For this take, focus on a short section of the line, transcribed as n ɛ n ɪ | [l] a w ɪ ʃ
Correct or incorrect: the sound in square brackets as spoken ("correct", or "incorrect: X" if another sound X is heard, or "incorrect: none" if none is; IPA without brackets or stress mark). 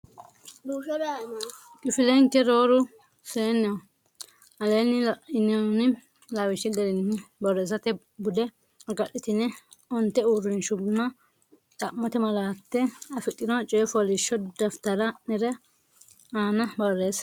correct